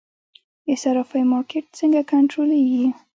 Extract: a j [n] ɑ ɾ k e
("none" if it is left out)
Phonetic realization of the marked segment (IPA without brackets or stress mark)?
m